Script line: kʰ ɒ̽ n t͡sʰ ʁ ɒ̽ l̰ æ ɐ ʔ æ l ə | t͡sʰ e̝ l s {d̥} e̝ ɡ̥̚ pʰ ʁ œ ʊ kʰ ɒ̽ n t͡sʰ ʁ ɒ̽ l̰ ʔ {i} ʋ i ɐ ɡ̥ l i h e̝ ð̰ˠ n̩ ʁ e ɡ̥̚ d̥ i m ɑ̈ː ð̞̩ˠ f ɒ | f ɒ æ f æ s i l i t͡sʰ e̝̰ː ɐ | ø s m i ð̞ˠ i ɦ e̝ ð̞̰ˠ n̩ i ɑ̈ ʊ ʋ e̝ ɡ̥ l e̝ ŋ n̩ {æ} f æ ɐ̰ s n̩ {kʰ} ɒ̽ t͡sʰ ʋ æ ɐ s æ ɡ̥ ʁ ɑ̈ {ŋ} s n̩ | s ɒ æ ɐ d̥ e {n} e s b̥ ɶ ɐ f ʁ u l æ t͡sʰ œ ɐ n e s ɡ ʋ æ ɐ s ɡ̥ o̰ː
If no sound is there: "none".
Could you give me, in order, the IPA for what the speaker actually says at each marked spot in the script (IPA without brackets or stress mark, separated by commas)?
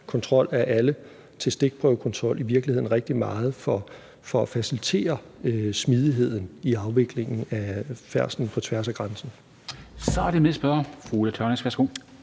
d̥, i, æ, pʰ, n, m